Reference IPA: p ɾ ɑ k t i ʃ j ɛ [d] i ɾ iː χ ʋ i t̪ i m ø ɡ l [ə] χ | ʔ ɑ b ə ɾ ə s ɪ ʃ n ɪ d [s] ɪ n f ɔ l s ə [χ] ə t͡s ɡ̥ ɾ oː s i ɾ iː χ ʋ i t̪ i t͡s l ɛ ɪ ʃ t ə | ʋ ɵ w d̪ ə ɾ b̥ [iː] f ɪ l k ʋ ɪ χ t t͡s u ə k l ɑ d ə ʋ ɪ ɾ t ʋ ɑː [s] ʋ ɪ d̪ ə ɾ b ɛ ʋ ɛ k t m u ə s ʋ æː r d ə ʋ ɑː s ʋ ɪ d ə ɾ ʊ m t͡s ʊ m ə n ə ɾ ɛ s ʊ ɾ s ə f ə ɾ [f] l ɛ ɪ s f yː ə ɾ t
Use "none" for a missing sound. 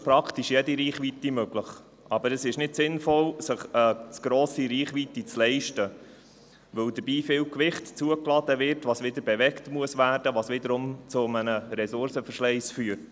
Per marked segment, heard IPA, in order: d, ə, s, χ, iː, s, ʃ

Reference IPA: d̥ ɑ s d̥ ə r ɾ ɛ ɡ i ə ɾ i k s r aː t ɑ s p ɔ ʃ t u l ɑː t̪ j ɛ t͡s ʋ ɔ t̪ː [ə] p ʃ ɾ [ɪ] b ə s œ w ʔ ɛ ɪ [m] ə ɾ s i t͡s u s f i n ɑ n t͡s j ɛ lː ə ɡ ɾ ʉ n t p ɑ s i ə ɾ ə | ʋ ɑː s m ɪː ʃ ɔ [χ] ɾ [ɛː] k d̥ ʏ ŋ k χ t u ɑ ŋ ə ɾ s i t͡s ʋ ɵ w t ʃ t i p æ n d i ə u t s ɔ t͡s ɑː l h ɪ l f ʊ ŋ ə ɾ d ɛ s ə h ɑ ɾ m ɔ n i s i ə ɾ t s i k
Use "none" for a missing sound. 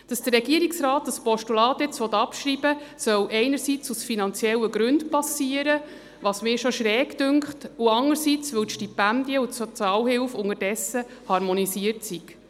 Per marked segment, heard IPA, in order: ɑ, i, n, ʃ, ɛː

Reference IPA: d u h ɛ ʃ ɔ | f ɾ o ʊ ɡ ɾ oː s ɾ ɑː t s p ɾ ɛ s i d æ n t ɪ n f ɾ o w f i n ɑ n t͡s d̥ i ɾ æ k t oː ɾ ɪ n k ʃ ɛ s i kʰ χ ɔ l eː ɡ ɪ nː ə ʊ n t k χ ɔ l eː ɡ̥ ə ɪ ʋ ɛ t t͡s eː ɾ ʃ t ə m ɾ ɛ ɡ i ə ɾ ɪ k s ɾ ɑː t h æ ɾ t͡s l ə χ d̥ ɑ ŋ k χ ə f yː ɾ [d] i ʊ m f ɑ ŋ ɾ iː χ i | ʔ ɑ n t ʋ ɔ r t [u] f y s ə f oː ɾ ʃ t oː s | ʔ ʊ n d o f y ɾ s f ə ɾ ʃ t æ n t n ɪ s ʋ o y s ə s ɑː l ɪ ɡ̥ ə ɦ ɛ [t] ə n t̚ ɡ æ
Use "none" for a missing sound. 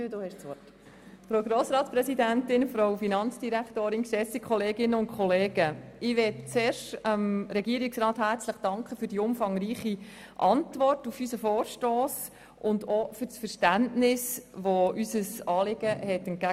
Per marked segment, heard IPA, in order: d, u, t

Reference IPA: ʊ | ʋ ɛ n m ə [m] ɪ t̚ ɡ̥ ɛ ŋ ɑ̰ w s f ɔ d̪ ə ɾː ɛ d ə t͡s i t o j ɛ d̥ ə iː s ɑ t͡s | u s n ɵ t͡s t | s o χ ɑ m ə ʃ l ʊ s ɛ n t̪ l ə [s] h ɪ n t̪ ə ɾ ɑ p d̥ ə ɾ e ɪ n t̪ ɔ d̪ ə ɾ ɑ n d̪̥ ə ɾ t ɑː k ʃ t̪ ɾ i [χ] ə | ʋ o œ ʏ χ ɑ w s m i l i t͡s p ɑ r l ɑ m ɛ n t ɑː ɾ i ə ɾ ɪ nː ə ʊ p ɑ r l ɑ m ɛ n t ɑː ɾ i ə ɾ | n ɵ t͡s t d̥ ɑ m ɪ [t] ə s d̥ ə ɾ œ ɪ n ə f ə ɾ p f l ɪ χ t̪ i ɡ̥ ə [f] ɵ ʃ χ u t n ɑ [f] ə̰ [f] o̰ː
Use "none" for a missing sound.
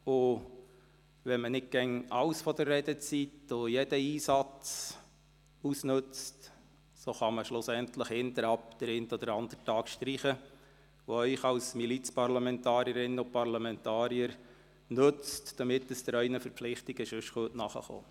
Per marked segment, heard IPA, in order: n, χ, χ, t, ʃ, χ, χ

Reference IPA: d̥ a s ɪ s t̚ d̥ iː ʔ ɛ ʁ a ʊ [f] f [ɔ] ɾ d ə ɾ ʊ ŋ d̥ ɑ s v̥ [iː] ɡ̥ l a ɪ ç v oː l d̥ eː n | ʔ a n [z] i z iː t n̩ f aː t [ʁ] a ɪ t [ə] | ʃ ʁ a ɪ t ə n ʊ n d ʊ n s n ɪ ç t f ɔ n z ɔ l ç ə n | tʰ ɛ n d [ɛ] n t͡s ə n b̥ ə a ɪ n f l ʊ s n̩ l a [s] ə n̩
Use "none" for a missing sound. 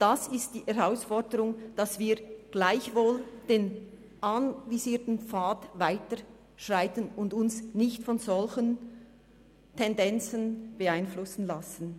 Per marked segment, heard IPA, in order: s, ɔ, iː, v, v, ə, ɛ, s

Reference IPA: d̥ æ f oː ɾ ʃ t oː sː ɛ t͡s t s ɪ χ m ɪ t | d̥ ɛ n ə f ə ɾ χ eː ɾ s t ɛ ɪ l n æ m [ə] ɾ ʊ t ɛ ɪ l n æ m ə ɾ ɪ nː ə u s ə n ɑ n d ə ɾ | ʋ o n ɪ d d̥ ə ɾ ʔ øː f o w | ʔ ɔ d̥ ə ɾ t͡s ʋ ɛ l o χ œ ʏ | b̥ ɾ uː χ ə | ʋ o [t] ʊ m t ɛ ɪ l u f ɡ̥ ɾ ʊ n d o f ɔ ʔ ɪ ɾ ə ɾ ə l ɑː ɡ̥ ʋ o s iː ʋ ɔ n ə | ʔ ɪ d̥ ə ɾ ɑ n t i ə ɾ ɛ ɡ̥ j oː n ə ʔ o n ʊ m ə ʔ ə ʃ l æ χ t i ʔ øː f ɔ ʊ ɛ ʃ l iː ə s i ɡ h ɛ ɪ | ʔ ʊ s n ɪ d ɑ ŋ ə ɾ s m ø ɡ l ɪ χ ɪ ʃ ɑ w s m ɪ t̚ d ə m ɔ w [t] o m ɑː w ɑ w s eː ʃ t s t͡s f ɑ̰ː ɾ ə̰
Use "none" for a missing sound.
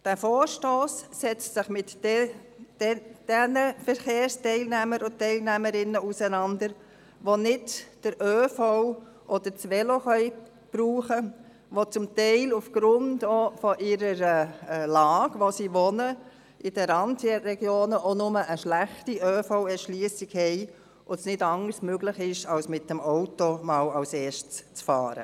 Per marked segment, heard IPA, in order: ə, t͡s, t

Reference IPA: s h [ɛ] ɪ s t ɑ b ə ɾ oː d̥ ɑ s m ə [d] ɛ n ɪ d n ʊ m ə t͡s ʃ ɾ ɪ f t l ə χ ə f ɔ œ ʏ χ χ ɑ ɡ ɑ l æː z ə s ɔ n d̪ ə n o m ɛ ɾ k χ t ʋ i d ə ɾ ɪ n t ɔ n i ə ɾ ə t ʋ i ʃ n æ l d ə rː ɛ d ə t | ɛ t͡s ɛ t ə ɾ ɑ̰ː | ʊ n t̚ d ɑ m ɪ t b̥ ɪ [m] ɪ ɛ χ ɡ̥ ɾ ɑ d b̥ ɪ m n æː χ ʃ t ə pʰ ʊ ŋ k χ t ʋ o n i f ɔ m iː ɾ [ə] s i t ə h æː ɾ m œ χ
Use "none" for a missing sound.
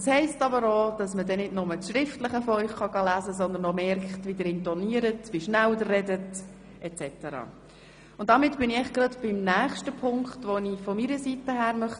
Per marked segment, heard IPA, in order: ɛ, d, n, ə

